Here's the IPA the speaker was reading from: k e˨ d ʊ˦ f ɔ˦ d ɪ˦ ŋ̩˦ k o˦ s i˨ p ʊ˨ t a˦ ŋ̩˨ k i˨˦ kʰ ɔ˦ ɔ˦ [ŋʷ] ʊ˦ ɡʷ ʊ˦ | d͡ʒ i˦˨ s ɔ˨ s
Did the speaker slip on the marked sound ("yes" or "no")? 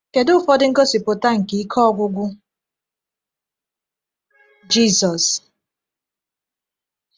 yes